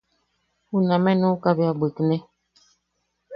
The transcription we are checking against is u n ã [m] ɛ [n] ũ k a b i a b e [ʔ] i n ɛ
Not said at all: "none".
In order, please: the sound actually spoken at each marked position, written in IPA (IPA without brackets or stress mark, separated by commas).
m, n, k